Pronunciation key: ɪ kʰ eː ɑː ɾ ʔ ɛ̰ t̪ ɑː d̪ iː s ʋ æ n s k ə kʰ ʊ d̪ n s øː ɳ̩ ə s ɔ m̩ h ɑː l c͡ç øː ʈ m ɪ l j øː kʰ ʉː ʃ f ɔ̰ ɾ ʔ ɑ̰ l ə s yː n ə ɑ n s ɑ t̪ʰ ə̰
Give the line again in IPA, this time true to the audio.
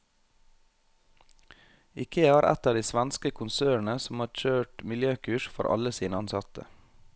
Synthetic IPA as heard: ɪ kʰ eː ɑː ɾ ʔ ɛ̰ t̪ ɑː d̪ iː s ʋ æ n s k ə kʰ ʊ n s øː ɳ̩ ə s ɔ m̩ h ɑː ɾ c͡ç øː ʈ m ɪ l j øː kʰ ʉː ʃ f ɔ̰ ɾ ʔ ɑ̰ l ə s iː n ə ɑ n s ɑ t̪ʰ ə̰